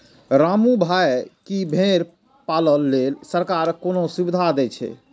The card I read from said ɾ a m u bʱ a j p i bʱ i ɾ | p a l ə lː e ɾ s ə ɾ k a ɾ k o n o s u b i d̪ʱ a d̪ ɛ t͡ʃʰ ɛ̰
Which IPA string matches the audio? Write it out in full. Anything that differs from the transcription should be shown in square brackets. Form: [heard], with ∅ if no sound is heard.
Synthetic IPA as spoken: ɾ a m u bʱ a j [k] i bʱ [e] ɾ | p a l ə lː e [l] s ə ɾ k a ɾ k o n o s u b i d̪ʱ a d̪ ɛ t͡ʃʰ ɛ̰